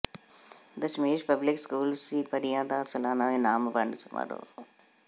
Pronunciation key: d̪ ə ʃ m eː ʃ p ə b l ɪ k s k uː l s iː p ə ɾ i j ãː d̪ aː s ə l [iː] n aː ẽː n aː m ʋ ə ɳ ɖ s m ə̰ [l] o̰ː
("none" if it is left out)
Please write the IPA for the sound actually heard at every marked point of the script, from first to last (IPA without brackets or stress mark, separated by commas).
aː, ɾ